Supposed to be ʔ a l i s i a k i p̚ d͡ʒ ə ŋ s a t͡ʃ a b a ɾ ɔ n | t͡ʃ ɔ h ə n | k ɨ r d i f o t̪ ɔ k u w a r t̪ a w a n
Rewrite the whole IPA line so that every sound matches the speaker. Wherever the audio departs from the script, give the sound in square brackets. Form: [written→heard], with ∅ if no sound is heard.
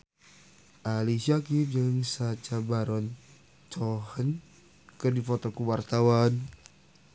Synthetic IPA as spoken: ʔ a l i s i a k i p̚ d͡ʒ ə ŋ s a t͡ʃ a b a ɾ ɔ n | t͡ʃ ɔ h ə n | k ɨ r d i f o t̪ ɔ k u w a r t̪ a w a n